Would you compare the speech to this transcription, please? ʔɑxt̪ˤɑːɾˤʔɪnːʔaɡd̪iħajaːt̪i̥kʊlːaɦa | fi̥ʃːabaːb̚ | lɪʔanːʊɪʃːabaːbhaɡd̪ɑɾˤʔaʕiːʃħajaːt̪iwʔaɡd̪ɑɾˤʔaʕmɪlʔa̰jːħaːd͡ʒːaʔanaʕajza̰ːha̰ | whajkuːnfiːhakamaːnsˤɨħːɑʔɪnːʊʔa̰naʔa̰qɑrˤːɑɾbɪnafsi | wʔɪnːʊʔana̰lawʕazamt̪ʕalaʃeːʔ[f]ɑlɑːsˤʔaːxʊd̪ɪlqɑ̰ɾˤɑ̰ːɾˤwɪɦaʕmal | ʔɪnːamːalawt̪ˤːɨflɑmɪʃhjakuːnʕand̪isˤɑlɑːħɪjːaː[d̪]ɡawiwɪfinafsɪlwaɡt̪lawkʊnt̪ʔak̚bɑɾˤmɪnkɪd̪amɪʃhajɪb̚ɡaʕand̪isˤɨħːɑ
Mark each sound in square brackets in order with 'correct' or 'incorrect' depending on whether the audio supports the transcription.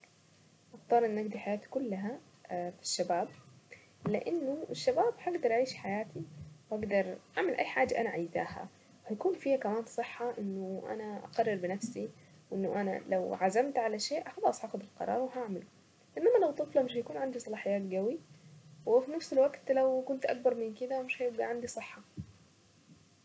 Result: incorrect: x, incorrect: t̪

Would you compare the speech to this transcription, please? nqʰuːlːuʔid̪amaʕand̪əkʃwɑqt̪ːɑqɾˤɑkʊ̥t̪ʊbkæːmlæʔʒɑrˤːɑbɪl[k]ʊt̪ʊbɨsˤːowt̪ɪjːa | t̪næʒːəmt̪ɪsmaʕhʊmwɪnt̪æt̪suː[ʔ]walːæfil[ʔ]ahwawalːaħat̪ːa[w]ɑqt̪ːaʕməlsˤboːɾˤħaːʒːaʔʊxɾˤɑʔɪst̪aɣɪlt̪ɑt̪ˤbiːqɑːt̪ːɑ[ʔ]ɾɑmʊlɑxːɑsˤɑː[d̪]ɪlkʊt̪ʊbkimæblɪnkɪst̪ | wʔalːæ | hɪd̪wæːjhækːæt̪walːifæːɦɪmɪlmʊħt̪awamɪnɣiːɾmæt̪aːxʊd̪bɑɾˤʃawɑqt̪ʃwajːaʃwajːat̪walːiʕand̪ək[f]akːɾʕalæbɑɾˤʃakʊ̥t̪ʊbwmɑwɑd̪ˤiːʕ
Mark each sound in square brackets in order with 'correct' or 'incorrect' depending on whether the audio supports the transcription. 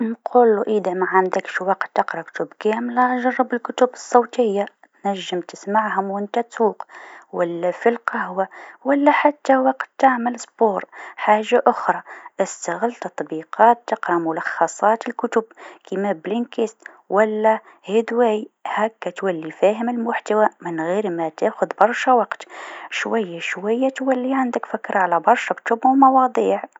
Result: correct, incorrect: q, incorrect: q, correct, incorrect: q, incorrect: t̪, correct

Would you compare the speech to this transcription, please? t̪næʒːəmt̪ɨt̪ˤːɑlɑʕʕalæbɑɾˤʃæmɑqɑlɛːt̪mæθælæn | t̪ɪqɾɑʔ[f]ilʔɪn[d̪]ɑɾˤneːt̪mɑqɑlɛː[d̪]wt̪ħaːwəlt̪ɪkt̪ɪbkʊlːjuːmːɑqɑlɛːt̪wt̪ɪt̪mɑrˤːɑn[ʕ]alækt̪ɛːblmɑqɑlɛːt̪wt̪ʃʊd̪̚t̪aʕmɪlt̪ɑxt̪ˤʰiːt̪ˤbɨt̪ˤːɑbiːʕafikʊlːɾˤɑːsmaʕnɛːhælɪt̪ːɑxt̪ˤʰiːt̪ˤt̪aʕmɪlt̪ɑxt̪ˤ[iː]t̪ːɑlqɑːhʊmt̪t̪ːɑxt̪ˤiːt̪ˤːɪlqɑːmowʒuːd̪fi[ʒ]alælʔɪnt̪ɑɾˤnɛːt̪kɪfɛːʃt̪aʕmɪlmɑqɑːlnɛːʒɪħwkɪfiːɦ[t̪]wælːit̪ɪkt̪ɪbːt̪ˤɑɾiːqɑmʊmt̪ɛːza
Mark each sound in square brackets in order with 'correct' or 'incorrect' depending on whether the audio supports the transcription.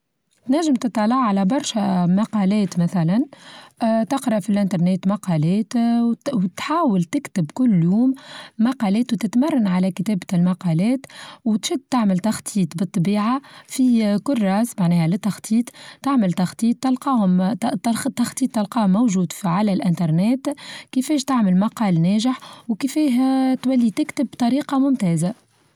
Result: correct, incorrect: t̪, incorrect: t̪, correct, correct, incorrect: ʕ, correct

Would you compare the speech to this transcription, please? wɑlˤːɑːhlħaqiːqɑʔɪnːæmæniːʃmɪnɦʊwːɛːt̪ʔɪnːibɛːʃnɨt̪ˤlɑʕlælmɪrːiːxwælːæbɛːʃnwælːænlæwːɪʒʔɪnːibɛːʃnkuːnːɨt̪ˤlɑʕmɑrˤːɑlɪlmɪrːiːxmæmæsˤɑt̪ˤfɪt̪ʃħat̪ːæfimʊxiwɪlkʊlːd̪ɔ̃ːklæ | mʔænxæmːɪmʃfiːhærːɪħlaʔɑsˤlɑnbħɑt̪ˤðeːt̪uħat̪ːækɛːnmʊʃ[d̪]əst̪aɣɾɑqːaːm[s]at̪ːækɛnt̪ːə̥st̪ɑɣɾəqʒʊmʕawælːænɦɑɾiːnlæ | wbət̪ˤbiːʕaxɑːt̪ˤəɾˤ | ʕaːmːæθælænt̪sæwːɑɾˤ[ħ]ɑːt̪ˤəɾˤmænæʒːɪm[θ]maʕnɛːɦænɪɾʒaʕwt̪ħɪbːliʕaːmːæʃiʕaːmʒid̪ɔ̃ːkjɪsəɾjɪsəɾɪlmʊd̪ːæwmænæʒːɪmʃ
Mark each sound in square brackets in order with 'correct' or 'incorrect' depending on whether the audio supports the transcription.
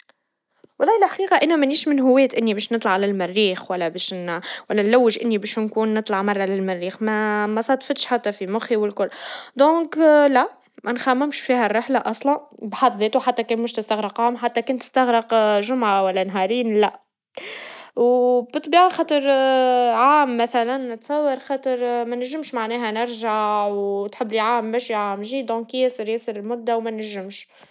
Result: incorrect: t̪, incorrect: ħ, incorrect: x, incorrect: ʃ

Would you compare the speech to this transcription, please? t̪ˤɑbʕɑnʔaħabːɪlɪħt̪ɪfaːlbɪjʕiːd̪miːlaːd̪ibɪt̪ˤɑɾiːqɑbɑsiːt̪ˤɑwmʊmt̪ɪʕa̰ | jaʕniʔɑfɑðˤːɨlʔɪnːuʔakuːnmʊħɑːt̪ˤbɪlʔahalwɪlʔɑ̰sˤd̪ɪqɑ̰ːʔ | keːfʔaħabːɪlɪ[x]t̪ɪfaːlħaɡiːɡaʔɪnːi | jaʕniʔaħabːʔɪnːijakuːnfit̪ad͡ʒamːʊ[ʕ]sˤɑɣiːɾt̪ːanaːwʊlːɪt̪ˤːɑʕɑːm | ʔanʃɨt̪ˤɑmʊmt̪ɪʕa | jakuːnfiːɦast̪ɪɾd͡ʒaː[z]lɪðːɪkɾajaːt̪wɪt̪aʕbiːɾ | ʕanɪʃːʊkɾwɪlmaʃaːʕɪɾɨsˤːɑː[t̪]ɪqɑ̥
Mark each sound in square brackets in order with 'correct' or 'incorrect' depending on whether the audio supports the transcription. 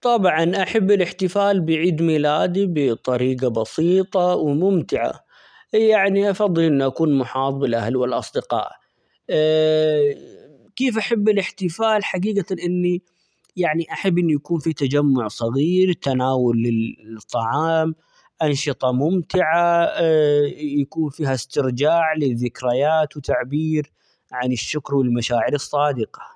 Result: incorrect: ħ, correct, incorrect: ʕ, incorrect: d̪

